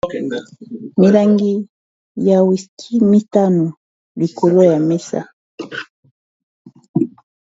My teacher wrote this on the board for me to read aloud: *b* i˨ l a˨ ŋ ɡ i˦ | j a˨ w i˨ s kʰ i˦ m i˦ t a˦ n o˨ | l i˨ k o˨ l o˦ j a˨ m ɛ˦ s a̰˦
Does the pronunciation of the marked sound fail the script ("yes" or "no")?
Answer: yes